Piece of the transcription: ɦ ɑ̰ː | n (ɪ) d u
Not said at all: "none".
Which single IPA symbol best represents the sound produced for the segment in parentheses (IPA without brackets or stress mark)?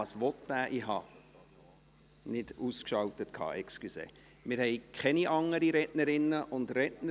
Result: ɪ